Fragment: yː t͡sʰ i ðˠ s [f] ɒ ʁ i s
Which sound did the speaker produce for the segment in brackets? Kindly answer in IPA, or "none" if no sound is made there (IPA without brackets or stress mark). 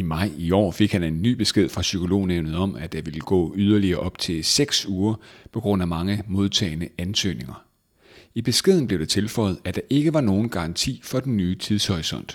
h